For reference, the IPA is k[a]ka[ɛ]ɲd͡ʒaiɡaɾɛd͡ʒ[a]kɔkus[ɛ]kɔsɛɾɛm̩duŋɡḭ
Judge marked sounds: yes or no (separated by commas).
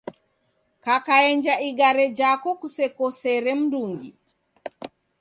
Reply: yes, yes, yes, yes